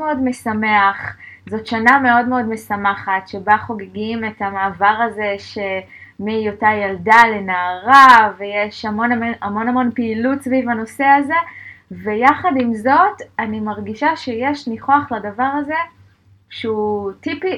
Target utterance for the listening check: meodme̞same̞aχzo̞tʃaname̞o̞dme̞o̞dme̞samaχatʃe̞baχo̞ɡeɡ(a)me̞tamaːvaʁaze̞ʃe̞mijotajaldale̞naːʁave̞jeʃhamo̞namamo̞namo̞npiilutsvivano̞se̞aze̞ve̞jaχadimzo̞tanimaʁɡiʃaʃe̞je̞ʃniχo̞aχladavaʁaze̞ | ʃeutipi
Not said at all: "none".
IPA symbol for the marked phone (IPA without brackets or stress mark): i